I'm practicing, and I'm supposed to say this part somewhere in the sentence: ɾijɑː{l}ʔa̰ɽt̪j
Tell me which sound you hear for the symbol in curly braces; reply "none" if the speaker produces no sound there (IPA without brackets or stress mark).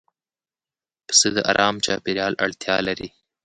l